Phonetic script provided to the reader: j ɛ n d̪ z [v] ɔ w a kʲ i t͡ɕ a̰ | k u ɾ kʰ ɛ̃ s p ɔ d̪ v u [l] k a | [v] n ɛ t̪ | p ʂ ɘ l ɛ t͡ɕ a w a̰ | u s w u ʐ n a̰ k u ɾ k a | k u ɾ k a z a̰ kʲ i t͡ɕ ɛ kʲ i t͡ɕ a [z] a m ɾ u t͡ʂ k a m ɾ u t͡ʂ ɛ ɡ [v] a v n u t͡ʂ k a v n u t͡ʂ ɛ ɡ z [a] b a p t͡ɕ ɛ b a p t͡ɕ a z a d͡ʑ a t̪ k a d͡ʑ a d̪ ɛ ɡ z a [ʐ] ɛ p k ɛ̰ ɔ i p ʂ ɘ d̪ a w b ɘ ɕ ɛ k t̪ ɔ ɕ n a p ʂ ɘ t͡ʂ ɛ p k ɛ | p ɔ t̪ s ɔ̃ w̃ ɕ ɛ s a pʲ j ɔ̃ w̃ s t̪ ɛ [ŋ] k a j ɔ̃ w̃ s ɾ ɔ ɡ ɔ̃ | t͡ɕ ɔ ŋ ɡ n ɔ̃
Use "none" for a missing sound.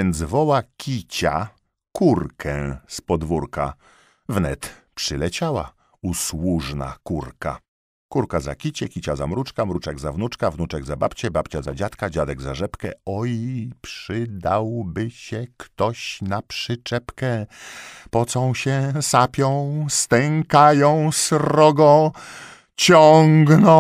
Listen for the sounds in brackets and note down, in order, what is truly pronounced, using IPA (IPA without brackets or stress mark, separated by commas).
v, ɾ, v, z, z, a, ʐ, ŋ